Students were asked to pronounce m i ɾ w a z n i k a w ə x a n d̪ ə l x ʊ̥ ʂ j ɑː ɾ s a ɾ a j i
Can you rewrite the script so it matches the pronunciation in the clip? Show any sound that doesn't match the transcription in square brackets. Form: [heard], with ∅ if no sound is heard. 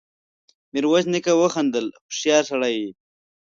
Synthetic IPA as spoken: m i ɾ w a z n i k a w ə x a n d̪ ə l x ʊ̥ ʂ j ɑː ɾ s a [ɽ] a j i